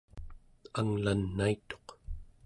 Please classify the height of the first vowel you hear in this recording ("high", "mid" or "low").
low